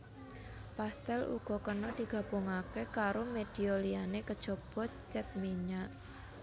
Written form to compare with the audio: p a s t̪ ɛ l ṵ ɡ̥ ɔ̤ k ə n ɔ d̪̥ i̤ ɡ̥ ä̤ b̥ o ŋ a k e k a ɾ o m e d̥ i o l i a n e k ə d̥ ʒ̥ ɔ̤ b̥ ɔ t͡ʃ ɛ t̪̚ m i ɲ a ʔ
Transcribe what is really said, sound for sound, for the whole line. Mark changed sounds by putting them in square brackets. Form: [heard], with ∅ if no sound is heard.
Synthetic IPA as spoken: p a s t̪ ɛ l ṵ ɡ̥ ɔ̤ k ə n ɔ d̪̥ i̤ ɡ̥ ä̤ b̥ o ŋ a k e k a ɾ o m e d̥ i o l i a n e k ə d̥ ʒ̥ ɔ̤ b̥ ɔ t͡ʃ ɛ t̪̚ m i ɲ a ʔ